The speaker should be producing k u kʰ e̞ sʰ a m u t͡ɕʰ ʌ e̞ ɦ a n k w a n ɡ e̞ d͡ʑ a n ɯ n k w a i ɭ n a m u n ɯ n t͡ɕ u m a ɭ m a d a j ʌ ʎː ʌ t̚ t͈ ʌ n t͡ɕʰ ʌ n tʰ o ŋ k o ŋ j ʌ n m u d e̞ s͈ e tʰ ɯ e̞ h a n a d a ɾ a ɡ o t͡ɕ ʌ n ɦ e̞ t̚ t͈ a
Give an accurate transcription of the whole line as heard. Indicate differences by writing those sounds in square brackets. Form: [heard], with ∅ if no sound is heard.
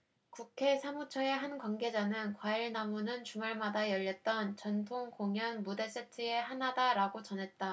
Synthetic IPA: k u kʰ e̞ sʰ a m u t͡ɕʰ ʌ e̞ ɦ a n k w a n ɡ e̞ d͡ʑ a n ɯ n k w a i ɭ n a m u n ɯ n t͡ɕ u m a ɭ m a d a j ʌ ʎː ʌ t̚ t͈ ʌ n [t͡ɕ] ʌ n tʰ o ŋ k o ŋ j ʌ n m u d e̞ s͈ e tʰ ɯ e̞ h a n a d a ɾ a ɡ o t͡ɕ ʌ n ɦ e̞ t̚ t͈ a